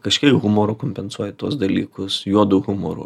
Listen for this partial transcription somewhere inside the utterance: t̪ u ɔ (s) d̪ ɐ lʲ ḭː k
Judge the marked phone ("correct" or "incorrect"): correct